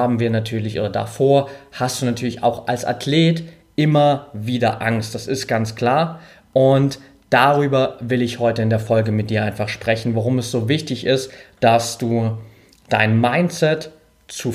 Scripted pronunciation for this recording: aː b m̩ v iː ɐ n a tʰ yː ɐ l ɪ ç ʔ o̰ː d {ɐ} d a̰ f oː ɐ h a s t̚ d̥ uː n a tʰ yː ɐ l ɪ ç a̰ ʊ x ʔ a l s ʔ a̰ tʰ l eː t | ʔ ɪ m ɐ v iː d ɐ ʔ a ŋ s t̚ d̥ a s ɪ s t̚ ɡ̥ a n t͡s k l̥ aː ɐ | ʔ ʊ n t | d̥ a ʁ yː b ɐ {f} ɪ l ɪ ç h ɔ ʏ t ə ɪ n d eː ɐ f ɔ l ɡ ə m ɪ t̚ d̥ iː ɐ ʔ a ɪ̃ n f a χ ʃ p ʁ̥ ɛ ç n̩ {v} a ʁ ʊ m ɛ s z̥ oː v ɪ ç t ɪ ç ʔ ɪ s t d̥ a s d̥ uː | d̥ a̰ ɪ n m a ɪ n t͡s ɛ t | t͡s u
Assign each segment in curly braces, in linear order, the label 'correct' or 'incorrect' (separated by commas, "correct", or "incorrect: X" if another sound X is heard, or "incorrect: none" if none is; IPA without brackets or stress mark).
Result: correct, incorrect: v, correct